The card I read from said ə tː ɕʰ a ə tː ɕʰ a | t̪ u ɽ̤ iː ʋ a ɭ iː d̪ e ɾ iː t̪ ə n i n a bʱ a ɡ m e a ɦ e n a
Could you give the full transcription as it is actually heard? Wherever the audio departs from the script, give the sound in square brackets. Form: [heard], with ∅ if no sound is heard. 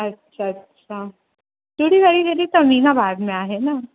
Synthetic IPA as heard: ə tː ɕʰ a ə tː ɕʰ a | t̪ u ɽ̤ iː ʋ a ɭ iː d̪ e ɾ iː t̪ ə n i n a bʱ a ɡ m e a ɦ e n a